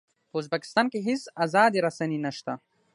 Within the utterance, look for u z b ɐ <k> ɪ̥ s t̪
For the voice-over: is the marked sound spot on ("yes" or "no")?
yes